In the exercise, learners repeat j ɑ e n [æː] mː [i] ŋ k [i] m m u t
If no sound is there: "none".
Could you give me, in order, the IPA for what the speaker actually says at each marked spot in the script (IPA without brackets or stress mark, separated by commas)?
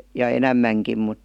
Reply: æ, æ, i